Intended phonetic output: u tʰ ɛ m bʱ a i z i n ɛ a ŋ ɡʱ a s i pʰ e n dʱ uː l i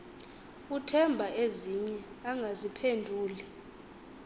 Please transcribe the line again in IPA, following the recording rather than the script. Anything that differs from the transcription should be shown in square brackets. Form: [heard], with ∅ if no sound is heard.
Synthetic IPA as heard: u tʰ ɛ m bʱ a [e] z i [ɲ] ɛ a ŋ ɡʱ a [z] i pʰ e n dʱ uː l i